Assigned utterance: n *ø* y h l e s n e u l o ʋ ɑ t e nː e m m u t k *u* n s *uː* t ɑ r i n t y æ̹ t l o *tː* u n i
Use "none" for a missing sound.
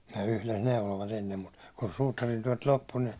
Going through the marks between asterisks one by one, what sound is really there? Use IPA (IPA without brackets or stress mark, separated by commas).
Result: e, u, uː, pː